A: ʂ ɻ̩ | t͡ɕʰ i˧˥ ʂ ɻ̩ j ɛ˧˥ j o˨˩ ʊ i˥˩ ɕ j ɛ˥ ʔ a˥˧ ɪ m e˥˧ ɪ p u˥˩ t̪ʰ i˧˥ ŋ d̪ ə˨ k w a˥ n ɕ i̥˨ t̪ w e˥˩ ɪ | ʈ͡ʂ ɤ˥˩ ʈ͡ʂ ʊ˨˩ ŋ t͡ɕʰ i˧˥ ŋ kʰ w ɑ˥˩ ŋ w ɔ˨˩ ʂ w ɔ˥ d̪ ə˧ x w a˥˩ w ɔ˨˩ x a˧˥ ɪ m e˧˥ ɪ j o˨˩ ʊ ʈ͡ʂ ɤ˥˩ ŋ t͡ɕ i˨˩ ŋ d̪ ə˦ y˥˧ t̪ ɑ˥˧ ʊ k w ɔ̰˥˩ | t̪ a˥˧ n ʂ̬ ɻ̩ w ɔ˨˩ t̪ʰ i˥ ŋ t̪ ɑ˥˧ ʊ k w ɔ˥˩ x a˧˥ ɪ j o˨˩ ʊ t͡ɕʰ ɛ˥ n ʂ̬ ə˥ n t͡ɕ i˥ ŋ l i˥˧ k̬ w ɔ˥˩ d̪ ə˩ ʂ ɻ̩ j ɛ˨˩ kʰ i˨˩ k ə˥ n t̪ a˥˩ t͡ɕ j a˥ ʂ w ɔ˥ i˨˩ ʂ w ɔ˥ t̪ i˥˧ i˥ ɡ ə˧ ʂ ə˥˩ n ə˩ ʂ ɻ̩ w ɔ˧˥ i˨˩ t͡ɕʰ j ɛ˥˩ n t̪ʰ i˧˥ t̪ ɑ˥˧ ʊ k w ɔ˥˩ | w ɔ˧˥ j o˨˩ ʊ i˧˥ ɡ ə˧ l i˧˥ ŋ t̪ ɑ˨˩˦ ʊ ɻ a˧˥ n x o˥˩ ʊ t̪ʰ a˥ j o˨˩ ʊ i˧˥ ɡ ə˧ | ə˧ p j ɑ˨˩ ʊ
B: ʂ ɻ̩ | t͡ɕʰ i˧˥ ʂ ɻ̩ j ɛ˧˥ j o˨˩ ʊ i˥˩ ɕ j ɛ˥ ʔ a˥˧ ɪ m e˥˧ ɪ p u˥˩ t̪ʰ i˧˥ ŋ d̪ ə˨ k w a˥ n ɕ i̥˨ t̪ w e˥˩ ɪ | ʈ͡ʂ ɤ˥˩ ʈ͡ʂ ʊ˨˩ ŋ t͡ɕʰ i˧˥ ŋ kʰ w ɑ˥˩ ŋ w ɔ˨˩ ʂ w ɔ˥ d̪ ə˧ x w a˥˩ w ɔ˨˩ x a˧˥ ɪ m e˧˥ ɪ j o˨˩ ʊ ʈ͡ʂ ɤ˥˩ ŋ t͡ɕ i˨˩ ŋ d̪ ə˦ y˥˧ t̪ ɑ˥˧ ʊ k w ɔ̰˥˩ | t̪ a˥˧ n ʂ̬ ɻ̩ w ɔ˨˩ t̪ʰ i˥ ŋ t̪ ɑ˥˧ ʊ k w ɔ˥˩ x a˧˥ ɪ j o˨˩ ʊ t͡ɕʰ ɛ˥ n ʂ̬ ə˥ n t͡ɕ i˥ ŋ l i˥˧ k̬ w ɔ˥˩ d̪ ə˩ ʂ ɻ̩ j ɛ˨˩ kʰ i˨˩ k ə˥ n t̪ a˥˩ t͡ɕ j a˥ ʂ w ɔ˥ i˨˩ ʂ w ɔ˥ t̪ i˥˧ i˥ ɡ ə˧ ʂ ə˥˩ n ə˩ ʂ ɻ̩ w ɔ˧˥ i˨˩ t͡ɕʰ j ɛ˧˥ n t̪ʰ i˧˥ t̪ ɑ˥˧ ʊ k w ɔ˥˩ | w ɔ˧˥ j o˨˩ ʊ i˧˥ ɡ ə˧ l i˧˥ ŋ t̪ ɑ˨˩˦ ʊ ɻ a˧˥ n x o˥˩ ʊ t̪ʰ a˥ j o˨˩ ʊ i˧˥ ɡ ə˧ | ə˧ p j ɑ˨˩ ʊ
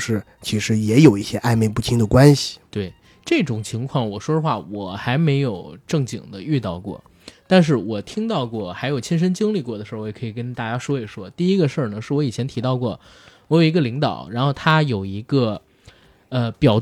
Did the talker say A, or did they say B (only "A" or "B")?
B